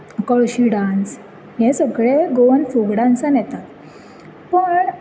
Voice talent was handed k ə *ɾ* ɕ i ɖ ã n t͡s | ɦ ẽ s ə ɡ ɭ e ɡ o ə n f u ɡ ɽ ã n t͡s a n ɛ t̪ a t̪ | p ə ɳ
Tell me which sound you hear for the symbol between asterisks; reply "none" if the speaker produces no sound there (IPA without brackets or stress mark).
ɭ